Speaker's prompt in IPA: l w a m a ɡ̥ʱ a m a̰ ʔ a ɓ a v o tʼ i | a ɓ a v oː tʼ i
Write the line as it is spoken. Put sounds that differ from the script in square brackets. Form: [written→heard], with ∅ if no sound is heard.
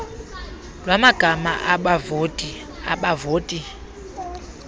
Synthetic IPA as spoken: l w a m a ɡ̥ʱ a m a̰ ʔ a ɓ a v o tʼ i | a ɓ a v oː tʼ i